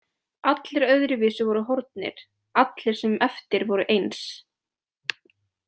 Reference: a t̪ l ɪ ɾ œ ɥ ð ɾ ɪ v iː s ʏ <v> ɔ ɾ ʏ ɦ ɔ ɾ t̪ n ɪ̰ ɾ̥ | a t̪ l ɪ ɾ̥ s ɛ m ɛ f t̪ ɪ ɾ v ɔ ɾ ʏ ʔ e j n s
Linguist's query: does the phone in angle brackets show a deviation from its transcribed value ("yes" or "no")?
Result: no